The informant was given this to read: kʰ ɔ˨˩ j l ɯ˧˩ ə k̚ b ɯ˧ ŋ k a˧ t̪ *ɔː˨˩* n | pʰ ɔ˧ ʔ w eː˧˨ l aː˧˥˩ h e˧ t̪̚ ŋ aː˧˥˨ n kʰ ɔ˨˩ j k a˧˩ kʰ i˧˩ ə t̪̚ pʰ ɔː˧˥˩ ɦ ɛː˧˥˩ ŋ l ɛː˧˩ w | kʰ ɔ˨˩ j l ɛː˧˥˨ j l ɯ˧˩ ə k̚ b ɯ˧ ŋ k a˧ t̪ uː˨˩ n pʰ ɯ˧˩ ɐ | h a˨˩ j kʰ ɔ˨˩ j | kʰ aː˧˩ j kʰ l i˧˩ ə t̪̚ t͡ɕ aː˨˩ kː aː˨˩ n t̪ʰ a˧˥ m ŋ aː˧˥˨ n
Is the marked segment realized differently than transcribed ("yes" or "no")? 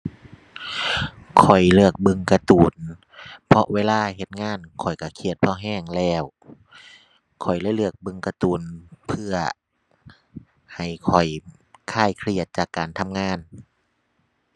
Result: yes